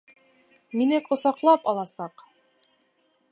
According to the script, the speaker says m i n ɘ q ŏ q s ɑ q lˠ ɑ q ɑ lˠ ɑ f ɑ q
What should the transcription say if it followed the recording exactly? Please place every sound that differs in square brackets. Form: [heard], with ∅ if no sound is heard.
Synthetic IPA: m i n ɘ [k] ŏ [∅] s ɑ q lˠ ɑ [p] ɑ lˠ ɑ [s] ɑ q